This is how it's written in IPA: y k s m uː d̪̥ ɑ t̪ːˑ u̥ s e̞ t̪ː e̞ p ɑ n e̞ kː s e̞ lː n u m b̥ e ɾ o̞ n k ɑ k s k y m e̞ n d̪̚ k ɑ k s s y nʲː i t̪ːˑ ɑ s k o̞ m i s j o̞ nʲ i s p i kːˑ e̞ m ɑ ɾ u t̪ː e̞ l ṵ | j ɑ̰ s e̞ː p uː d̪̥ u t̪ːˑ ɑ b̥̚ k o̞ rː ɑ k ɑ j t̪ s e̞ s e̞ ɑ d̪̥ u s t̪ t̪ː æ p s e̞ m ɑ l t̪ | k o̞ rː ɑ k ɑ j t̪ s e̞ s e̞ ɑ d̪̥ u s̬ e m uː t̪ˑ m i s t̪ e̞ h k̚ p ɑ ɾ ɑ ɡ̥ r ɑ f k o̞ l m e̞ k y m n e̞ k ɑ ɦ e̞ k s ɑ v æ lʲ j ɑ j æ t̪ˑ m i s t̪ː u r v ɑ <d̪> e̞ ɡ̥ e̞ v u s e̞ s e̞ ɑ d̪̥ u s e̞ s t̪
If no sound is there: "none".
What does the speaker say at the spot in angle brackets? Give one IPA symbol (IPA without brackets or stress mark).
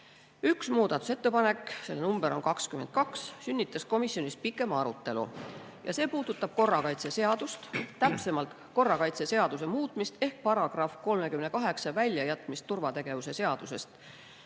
t̪